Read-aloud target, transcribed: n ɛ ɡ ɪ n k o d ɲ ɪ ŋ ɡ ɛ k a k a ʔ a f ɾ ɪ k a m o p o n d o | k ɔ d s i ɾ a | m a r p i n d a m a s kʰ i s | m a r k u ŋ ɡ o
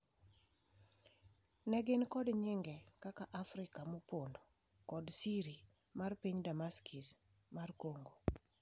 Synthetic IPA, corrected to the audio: n ɛ ɡ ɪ n k ɔ d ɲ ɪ ŋ ɡ ɛ k a k a ʔ a f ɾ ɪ k a m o p o n d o | k ɔ d s i ɾ i | m a r p i ɲ d a m a s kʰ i s | m a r k o ŋ ɡ o